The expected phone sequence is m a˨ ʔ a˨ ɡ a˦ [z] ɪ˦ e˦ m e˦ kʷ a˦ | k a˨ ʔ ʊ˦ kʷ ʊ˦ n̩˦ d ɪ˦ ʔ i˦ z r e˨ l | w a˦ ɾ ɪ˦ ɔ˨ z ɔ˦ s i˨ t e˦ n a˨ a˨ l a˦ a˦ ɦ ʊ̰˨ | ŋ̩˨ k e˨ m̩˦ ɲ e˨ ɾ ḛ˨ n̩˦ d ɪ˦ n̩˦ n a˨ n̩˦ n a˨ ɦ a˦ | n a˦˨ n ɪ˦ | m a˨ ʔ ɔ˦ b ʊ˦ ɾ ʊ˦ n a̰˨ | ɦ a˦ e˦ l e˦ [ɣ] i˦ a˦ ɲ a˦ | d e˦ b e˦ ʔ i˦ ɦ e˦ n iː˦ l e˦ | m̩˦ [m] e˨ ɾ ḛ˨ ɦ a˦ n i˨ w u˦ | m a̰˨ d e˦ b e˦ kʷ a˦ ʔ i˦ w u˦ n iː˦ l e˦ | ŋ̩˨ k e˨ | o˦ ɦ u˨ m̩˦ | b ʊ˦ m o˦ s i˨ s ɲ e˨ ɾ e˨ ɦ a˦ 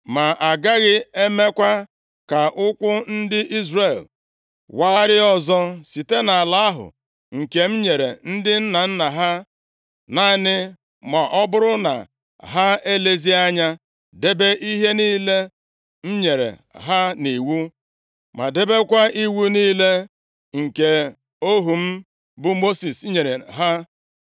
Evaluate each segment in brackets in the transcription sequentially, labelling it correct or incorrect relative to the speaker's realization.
incorrect: ɣ, incorrect: z, incorrect: ɲ

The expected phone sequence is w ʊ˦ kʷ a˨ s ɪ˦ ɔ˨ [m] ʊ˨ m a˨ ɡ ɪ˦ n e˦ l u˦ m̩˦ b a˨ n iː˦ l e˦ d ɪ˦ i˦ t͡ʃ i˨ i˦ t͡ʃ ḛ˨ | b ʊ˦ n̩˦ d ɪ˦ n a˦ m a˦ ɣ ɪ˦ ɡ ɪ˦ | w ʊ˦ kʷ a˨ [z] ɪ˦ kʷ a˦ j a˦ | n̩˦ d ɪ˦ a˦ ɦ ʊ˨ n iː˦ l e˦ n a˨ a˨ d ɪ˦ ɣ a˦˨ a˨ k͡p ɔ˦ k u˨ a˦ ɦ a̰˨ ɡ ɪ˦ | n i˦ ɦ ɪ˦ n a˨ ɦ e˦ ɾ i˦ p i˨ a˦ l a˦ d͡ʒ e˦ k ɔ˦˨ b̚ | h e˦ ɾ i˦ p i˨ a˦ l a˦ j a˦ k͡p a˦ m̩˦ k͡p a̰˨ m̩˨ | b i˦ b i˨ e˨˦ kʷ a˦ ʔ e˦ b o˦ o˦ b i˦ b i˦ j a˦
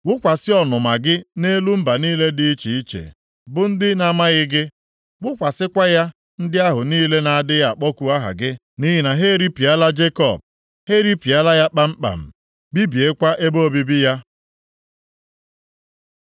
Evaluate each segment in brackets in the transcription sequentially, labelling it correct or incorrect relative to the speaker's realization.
incorrect: n, incorrect: s

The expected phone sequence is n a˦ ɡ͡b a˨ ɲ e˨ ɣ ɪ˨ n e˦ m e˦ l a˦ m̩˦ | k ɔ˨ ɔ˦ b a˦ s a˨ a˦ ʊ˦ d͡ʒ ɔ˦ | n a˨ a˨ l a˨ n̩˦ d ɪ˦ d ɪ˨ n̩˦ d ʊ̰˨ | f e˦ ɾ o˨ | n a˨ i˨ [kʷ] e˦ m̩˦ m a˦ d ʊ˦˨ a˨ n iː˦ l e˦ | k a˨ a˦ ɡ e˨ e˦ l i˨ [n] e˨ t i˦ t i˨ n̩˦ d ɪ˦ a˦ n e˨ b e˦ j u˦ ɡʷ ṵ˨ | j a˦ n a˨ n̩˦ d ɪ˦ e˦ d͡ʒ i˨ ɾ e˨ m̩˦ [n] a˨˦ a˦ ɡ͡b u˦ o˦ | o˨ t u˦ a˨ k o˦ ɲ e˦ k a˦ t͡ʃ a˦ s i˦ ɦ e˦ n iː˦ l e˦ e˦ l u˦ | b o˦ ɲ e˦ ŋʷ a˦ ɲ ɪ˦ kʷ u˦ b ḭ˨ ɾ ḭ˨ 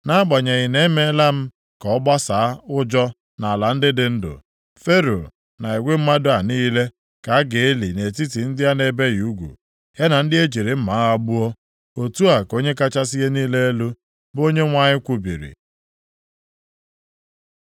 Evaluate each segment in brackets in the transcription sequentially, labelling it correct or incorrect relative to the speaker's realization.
incorrect: ɡʷ, correct, incorrect: m

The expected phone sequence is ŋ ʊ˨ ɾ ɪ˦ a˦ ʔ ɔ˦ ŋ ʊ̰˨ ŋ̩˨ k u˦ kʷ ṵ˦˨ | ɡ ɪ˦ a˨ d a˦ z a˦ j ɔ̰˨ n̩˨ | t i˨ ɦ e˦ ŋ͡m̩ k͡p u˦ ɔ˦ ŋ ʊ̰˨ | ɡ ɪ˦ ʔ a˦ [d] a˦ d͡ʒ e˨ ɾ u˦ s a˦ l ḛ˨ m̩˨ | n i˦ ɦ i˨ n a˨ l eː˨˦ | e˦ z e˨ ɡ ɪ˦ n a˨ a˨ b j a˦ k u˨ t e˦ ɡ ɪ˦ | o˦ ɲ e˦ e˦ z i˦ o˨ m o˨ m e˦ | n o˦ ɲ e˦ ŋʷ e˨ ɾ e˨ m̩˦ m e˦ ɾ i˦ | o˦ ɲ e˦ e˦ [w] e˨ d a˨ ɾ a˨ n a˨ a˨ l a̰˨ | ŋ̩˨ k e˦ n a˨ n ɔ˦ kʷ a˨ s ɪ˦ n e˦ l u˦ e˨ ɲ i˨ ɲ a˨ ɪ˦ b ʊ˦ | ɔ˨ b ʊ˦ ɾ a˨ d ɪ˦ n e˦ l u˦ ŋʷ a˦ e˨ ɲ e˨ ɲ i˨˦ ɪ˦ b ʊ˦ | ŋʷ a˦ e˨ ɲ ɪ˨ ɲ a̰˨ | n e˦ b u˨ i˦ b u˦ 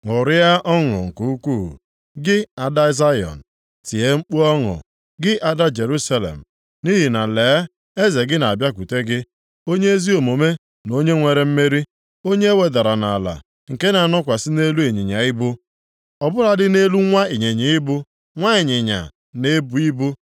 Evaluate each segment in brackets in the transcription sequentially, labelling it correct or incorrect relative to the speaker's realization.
correct, correct

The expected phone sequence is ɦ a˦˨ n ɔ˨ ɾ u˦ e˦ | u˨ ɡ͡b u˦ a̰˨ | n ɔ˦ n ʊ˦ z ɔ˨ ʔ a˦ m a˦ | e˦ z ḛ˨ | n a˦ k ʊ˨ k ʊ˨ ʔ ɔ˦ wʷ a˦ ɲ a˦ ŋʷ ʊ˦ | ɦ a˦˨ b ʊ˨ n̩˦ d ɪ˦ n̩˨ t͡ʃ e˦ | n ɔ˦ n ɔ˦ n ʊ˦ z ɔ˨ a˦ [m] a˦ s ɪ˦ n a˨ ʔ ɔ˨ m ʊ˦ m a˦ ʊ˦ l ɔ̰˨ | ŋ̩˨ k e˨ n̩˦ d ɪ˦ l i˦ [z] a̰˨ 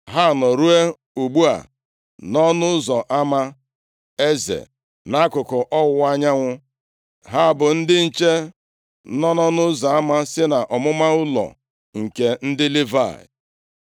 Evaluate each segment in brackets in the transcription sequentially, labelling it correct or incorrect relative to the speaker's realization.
correct, incorrect: v

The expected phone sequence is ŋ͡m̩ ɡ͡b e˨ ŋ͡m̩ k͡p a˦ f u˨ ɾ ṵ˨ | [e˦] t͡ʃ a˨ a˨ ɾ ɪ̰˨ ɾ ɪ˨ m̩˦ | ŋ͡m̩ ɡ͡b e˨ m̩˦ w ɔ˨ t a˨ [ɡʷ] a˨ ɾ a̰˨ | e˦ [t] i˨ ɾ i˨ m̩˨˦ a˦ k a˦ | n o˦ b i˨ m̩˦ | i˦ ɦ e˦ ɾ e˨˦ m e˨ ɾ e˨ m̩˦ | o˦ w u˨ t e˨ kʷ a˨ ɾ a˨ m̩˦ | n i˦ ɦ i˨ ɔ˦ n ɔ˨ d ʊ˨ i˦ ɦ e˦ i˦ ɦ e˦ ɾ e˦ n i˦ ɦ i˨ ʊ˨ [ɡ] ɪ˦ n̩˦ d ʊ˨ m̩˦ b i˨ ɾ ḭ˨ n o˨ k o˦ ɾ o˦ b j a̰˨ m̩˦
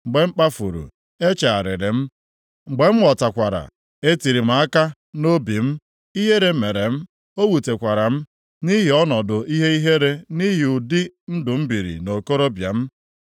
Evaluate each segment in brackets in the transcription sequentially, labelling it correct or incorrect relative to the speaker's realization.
correct, incorrect: kʷ, correct, incorrect: d

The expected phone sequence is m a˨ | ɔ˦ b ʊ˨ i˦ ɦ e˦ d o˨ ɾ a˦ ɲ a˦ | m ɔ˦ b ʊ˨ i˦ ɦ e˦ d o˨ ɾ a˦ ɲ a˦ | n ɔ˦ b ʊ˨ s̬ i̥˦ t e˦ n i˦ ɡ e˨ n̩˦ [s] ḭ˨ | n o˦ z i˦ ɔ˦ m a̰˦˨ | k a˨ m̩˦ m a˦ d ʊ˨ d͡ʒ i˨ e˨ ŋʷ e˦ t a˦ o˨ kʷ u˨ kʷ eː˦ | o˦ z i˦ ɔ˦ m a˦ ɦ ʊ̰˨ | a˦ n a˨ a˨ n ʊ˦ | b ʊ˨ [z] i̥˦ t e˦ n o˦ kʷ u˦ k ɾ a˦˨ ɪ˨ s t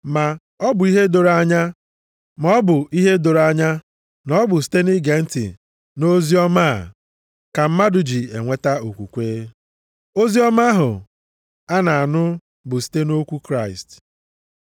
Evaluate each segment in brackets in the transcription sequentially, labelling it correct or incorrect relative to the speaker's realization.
incorrect: t, incorrect: s

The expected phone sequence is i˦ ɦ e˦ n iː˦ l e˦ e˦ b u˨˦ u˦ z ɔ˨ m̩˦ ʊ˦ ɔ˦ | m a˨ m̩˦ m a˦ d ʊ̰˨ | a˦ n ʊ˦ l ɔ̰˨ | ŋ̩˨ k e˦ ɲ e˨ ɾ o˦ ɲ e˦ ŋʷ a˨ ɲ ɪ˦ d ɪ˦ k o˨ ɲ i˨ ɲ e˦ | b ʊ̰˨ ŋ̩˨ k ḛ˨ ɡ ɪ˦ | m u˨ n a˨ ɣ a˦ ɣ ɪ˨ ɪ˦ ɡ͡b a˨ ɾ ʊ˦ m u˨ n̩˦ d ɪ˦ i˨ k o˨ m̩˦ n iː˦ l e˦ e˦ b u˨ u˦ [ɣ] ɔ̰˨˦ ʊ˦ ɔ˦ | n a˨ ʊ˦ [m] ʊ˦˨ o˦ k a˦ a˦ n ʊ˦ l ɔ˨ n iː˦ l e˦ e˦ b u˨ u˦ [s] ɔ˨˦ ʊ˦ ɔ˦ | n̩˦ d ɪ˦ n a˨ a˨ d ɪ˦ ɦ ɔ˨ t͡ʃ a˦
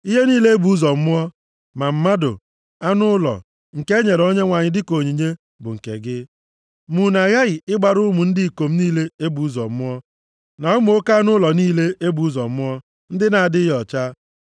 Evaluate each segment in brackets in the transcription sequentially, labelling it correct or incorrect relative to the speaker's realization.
incorrect: z, correct, incorrect: z

